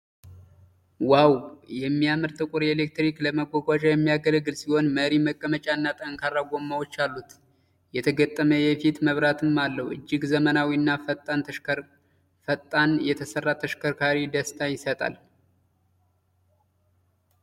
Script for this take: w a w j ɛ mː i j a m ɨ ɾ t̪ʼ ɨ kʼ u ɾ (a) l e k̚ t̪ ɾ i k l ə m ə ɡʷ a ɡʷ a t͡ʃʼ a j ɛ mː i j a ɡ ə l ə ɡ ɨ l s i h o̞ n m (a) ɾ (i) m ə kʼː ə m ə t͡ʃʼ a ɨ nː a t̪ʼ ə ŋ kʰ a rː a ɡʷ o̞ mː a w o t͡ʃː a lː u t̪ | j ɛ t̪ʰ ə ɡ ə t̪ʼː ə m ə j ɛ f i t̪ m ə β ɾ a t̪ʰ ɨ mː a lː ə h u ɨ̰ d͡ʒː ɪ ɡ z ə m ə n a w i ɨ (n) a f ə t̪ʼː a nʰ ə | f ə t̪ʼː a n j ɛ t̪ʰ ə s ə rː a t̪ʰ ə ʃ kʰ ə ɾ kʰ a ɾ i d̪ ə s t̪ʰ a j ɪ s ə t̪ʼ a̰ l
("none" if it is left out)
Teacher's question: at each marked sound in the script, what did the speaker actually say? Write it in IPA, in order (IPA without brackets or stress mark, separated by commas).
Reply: e, ə, i, nː